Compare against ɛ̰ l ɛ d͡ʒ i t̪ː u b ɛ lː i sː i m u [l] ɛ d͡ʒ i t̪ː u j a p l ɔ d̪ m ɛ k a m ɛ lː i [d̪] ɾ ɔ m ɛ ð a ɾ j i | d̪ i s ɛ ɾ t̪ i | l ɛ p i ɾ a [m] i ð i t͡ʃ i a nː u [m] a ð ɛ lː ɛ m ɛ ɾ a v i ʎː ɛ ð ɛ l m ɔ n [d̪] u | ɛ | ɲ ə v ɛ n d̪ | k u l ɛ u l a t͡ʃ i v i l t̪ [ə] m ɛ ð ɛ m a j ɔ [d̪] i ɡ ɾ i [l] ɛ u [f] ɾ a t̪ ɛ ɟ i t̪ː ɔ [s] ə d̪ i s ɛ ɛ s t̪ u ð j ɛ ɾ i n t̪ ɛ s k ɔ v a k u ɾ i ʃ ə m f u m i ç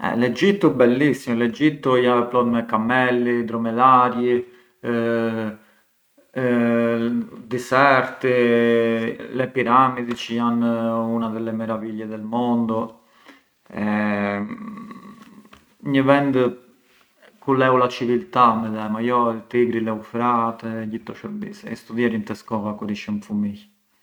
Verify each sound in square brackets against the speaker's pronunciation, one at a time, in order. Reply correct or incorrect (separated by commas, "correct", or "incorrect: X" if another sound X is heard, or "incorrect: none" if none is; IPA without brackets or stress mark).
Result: correct, correct, correct, incorrect: n, correct, incorrect: a, incorrect: t̪, correct, correct, incorrect: ʃ